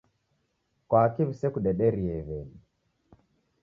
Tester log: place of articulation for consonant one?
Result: velar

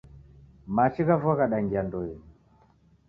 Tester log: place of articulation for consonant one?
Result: labial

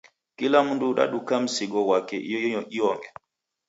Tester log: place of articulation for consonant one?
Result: velar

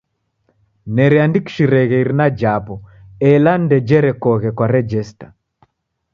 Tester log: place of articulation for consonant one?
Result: alveolar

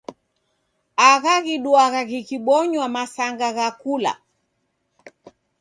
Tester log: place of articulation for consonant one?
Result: velar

